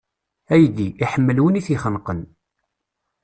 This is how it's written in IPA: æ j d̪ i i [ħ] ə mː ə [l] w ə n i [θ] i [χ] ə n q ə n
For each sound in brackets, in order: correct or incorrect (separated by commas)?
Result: correct, correct, correct, correct